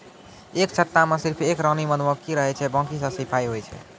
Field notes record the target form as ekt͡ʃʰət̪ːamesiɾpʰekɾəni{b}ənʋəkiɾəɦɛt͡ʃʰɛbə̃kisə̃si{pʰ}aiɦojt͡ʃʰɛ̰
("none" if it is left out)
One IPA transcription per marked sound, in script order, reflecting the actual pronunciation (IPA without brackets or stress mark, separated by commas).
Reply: m, pʰ